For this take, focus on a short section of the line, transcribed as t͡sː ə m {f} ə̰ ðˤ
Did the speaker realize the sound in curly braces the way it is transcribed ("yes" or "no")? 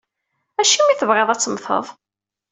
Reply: no